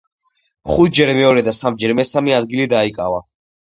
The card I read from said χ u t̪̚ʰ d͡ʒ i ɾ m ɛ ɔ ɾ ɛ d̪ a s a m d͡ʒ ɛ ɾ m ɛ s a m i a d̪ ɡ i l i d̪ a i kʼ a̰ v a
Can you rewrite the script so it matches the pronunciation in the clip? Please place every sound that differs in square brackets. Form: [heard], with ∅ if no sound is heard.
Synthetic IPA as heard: χ u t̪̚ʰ d͡ʒ [ɛ] ɾ m ɛ ɔ ɾ ɛ d̪ a s a m d͡ʒ ɛ ɾ m ɛ s a m i a d̪ ɡ i l i d̪ a i kʼ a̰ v a